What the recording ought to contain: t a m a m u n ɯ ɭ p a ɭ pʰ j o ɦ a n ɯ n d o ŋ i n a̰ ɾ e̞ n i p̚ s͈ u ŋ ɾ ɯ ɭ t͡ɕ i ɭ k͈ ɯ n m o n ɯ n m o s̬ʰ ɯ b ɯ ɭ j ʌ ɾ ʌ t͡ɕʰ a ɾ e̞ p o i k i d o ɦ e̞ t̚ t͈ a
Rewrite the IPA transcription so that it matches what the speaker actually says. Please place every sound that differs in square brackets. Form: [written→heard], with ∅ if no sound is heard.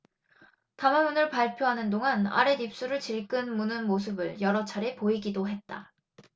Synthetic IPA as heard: t a m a m u n ɯ ɭ p a ɭ pʰ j o ɦ a n ɯ n d o ŋ [i→a] n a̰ ɾ e̞ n i p̚ s͈ u [ŋ→∅] ɾ ɯ ɭ t͡ɕ i ɭ k͈ ɯ n m [o→u] n ɯ n m o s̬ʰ ɯ b ɯ ɭ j ʌ ɾ ʌ t͡ɕʰ a ɾ e̞ p o i [k→ɡ] i d o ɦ e̞ t̚ t͈ a

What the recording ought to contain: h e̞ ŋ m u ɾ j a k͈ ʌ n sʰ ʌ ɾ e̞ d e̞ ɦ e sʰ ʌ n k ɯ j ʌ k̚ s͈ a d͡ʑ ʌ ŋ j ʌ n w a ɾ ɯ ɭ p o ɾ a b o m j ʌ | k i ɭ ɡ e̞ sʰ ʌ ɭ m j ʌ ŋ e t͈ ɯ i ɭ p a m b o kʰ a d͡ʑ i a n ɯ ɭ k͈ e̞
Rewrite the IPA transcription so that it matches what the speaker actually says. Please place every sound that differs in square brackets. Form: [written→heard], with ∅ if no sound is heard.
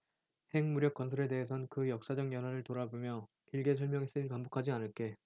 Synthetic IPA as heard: h e̞ ŋ m u ɾ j [a→ʌ] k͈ ʌ n sʰ ʌ ɾ e̞ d e̞ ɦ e sʰ ʌ n k ɯ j ʌ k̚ s͈ a d͡ʑ ʌ ŋ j ʌ n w a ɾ ɯ ɭ [p→t] o ɾ a b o m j ʌ | k i ɭ ɡ e̞ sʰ ʌ ɭ m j ʌ ŋ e [t͈→s͈] ɯ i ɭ p a m b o kʰ a d͡ʑ i a n ɯ ɭ k͈ e̞

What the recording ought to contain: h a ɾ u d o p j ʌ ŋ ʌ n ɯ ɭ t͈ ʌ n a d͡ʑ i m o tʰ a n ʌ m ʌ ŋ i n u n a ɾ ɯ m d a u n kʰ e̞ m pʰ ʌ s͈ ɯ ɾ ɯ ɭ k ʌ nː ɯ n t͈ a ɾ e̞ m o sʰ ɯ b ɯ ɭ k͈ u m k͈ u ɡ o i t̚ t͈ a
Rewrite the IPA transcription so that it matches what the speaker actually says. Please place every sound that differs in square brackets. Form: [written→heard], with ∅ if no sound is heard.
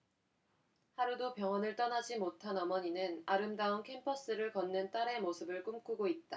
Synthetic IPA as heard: h a ɾ u d o p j ʌ ŋ ʌ n ɯ ɭ t͈ ʌ n a d͡ʑ i m o tʰ a n ʌ m ʌ [ŋ→ɲ] i n [u→ɯ] n a ɾ ɯ m d a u n kʰ e̞ m pʰ ʌ s͈ ɯ ɾ ɯ ɭ k ʌ nː ɯ n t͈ a ɾ e̞ m o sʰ ɯ b ɯ ɭ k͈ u m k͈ u ɡ o i t̚ t͈ a

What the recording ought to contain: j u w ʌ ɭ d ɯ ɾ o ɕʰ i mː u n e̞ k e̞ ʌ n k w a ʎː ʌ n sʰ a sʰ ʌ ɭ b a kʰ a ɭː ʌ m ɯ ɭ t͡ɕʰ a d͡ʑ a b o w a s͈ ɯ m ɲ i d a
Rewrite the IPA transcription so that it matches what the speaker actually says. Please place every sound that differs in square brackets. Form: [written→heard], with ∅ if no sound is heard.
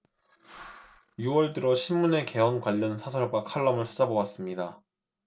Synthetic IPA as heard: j u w ʌ ɭ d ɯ ɾ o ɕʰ i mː u n e̞ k e̞ ʌ n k w a ʎː ʌ n sʰ a sʰ ʌ ɭ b a kʰ a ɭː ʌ m ɯ ɭ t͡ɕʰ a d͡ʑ a b o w a s͈ ɯ m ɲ i d a

